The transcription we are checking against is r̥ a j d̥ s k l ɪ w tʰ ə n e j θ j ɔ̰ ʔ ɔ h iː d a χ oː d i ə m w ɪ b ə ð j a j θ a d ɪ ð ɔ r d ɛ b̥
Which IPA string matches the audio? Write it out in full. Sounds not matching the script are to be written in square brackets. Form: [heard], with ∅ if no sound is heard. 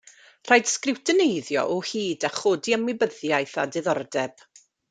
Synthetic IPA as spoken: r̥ a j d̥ s k [r] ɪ w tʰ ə n e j [ð] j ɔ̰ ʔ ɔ h iː d a χ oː d i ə m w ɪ b ə ð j a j θ a d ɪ ð ɔ r d ɛ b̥